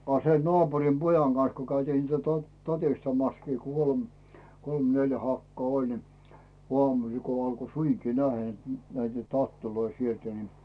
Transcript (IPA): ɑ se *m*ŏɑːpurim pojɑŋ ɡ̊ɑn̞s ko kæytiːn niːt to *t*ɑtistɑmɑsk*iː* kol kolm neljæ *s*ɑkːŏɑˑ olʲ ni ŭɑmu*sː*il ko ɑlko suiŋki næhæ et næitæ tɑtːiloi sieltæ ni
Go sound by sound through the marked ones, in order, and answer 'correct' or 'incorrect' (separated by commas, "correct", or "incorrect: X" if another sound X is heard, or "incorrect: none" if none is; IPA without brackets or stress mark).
incorrect: n, correct, correct, incorrect: h, incorrect: s